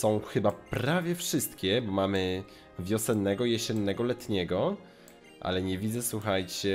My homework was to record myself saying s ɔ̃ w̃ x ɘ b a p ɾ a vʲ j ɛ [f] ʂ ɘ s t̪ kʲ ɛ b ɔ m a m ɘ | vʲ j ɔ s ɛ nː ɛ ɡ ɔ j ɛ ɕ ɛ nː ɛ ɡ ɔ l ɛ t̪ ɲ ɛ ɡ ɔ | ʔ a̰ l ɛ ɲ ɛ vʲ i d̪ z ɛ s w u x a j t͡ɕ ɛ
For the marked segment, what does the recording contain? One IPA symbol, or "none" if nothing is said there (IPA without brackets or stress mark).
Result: f